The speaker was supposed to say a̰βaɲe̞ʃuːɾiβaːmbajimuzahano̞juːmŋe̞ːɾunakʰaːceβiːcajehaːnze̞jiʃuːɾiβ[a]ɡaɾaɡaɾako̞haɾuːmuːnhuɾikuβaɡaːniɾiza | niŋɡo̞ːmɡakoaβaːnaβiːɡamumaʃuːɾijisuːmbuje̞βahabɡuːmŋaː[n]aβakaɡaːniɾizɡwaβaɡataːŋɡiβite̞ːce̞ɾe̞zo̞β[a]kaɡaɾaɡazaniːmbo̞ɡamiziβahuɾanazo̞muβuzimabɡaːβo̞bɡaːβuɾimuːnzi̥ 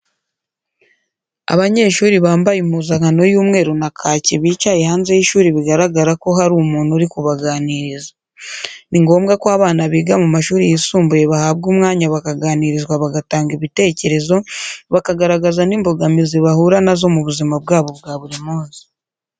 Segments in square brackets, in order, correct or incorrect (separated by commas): incorrect, incorrect, correct